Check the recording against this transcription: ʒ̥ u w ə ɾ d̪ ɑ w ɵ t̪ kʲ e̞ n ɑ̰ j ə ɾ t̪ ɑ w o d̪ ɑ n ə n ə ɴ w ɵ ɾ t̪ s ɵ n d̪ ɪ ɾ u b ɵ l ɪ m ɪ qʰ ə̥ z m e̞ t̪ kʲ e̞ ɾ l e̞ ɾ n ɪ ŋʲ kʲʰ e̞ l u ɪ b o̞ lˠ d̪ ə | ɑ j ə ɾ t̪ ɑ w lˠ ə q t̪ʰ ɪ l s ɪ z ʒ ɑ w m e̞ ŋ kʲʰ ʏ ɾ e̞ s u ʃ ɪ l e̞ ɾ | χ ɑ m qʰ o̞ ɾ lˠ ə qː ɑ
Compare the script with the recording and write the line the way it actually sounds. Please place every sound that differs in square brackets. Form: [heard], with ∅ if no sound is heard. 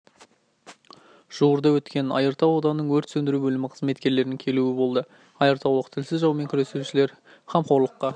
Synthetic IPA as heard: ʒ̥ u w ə ɾ d̪ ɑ w ɵ t̪ kʲ e̞ n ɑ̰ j ə ɾ t̪ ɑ w o d̪ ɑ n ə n ə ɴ w ɵ ɾ t̪ s ɵ n d̪ ɪ ɾ u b ɵ l ɪ m ɪ qʰ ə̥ z m e̞ t̪ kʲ e̞ ɾ l e̞ ɾ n ɪ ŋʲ kʲʰ e̞ l u ɪ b o̞ lˠ d̪ ə | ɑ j ə ɾ t̪ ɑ w lˠ ə q t̪ʰ ɪ l s ɪ z ʒ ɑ w m e̞ ŋ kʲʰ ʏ ɾ e̞ s u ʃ ɪ l e̞ ɾ | χ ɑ m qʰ o̞ ɾ lˠ ə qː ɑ

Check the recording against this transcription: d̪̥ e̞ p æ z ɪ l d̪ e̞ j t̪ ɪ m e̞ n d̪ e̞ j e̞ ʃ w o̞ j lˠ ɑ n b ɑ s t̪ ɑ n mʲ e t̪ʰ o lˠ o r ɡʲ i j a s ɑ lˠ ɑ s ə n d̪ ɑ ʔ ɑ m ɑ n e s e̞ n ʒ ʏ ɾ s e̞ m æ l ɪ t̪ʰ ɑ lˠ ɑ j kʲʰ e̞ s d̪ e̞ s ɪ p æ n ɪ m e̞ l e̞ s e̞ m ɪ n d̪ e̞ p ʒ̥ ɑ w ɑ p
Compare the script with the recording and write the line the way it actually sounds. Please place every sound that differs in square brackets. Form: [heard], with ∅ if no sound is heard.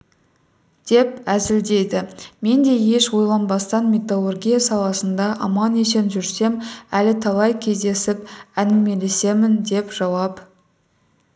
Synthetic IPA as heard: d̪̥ e̞ p æ z ɪ l d̪ e̞ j [d̪] ɪ m e̞ n d̪ e̞ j e̞ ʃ w o̞ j lˠ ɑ n b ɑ s t̪ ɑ n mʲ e [t̪] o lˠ o r ɡʲ i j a s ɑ lˠ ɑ s ə n d̪ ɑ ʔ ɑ m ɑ n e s e̞ n ʒ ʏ ɾ s e̞ m æ l ɪ t̪ʰ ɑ lˠ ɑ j kʲʰ e̞ [z] d̪ e̞ s ɪ p æ n ɪ m e̞ l e̞ s e̞ m ɪ n d̪ e̞ p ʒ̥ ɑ w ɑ p

